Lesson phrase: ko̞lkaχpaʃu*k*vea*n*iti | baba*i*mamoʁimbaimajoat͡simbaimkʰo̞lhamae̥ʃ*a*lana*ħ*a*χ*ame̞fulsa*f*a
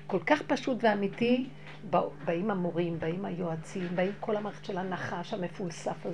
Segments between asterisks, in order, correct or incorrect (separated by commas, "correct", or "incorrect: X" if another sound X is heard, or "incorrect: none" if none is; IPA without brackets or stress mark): incorrect: t, incorrect: m, correct, incorrect: e, incorrect: χ, incorrect: ʃ, correct